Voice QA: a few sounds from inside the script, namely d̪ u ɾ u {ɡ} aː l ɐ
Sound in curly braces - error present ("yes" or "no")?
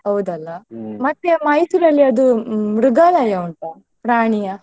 no